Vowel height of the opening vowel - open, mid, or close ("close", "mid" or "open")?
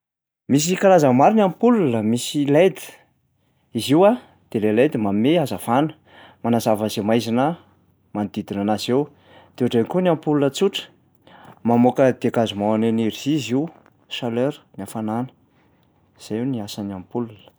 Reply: close